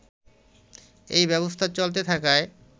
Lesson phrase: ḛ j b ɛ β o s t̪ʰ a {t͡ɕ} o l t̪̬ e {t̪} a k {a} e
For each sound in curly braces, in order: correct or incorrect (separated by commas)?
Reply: correct, incorrect, correct